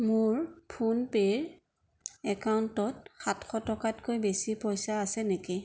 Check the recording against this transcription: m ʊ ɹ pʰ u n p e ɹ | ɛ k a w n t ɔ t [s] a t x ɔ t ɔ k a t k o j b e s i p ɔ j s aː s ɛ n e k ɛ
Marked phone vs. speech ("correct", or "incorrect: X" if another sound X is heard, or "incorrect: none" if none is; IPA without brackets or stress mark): incorrect: x